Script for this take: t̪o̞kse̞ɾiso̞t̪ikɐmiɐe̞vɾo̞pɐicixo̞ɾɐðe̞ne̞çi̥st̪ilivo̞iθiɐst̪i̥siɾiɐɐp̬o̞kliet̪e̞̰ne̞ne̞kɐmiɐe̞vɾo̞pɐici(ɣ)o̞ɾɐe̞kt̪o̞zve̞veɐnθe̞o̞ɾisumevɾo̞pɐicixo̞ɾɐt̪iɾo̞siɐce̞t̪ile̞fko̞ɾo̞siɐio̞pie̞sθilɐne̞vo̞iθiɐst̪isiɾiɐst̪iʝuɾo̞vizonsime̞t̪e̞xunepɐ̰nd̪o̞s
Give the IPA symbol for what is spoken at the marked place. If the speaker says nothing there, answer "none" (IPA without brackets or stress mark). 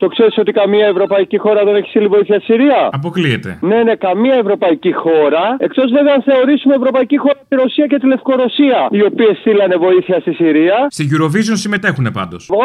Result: x